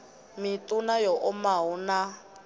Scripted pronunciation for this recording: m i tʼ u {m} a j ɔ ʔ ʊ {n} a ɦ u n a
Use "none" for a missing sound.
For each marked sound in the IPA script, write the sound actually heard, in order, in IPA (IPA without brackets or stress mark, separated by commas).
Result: n, m